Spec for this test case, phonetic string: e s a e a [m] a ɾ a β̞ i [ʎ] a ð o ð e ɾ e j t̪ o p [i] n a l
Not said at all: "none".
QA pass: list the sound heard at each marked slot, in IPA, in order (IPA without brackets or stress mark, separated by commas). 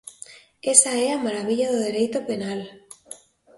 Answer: m, ʎ, e